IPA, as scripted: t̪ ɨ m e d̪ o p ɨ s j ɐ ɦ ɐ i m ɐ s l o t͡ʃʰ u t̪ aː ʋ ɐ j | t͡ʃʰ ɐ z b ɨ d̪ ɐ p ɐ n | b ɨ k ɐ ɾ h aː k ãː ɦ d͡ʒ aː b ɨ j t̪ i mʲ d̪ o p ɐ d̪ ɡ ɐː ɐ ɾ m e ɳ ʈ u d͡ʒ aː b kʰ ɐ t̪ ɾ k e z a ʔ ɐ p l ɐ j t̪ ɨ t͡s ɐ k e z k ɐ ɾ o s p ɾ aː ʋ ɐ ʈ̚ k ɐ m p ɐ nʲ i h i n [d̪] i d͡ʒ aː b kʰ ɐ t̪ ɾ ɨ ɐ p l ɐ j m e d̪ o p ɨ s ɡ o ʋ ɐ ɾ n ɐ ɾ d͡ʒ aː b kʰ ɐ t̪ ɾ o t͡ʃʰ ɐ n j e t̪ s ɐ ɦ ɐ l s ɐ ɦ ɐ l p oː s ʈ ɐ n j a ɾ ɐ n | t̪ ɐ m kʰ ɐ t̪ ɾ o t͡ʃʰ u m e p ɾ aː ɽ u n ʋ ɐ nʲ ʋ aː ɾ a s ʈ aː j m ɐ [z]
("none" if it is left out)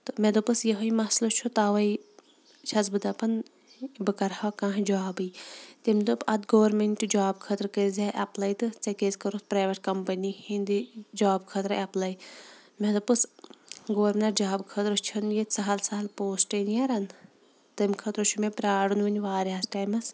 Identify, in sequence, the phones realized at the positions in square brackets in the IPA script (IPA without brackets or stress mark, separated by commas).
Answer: d̪, s